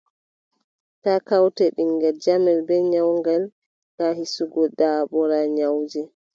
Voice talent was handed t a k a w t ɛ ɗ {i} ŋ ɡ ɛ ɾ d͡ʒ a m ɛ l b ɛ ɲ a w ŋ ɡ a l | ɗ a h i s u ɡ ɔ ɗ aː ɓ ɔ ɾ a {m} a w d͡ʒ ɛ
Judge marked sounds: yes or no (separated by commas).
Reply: yes, no